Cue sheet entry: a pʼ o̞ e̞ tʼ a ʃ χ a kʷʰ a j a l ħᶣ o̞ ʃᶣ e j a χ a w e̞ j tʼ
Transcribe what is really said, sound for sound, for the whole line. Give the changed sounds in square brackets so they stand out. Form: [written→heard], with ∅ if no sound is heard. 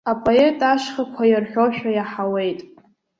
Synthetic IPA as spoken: a pʼ o̞ e̞ tʼ a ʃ χ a kʷʰ a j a [l→r] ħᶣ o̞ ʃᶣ [e→a] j a [χ→ħ] a w e̞ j tʼ